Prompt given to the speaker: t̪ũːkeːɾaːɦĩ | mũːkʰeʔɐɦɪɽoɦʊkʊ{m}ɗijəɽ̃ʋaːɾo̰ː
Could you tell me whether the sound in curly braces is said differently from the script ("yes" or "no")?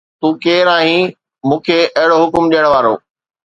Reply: no